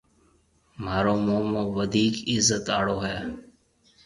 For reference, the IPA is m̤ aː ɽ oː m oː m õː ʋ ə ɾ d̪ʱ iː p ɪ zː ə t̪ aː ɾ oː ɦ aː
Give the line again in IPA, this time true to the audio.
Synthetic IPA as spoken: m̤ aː ɾ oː m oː m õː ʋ ə d̪ʱ iː k ɪ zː ə t̪ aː ɽ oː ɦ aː